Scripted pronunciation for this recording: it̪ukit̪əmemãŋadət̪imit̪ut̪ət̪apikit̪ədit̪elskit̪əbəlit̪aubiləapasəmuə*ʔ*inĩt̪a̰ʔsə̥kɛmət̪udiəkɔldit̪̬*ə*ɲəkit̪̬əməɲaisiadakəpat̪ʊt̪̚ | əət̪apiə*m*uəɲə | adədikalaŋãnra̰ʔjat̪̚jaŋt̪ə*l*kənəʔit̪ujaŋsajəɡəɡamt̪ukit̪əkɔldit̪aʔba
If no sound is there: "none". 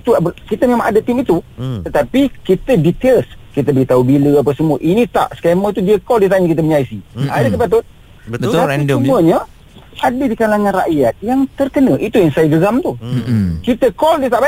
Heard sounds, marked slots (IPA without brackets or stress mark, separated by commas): ʔ, a, m, r